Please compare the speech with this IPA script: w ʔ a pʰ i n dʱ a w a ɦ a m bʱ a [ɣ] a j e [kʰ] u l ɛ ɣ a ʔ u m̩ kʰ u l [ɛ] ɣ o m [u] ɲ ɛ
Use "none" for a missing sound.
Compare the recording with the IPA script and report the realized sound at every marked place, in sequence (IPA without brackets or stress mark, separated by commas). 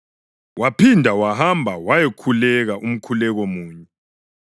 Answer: w, kʰ, ɛ, uː